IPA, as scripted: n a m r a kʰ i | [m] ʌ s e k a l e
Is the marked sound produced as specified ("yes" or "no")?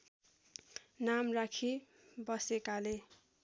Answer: no